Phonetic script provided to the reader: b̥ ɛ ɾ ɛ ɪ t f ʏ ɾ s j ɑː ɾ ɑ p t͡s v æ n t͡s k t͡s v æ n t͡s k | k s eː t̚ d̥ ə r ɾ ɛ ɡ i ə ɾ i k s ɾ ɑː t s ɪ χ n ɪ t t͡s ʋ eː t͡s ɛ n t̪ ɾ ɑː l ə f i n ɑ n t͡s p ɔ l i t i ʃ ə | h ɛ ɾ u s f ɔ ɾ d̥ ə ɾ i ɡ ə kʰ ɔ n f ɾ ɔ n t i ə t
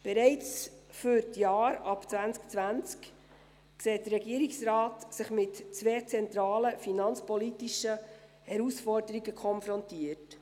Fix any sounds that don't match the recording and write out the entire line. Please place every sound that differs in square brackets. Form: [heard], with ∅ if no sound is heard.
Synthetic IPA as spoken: b̥ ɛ ɾ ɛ ɪ [t͡s] f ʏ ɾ [t] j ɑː ɾ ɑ p t͡s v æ n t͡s k t͡s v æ n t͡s k | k s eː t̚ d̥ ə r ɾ ɛ ɡ i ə ɾ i k s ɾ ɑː t s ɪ χ [m] ɪ t t͡s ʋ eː t͡s ɛ n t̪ ɾ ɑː l ə f i n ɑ n t͡s p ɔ l i t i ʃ ə | h ɛ ɾ u s f ɔ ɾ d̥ ə ɾ i ɡ ə kʰ ɔ n f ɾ ɔ n t i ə t